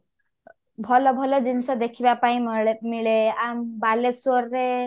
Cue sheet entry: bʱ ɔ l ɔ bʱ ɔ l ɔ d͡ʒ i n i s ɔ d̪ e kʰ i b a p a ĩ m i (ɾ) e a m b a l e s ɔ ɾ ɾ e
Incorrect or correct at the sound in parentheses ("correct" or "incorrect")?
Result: incorrect